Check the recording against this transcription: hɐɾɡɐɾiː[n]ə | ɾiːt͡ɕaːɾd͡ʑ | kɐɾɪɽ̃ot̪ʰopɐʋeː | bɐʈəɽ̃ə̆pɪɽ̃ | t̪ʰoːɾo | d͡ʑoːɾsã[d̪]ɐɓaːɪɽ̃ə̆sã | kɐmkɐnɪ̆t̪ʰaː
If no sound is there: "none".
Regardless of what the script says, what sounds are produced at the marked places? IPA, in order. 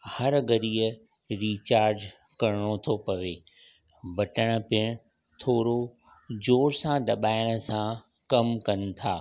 none, d̪

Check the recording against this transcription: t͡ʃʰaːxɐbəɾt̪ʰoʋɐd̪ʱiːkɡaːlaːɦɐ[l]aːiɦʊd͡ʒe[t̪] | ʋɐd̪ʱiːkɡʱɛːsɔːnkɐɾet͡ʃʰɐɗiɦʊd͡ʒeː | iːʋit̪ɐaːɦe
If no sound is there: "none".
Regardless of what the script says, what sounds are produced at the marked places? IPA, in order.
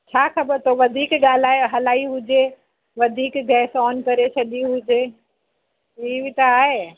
l, none

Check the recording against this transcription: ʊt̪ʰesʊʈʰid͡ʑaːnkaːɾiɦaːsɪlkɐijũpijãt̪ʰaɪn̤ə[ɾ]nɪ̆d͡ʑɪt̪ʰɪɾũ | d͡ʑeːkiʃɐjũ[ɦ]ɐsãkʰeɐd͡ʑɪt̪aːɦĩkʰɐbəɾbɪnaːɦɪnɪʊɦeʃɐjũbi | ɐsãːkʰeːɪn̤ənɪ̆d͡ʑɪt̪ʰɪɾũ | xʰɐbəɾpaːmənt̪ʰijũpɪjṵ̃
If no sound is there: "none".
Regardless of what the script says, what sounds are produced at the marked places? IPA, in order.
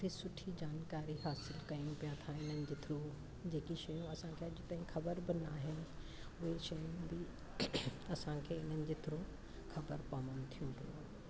none, none

